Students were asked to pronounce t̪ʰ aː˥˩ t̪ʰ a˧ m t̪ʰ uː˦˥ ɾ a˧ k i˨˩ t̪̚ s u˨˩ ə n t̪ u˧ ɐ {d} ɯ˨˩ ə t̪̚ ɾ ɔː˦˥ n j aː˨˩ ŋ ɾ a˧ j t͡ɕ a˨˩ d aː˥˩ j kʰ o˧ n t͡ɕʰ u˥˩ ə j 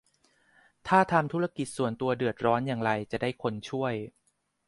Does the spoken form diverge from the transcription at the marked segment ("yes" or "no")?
no